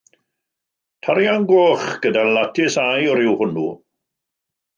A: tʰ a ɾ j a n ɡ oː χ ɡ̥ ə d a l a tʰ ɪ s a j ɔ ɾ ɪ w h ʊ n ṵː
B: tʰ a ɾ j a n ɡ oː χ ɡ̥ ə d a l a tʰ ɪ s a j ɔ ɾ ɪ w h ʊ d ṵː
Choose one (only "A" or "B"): A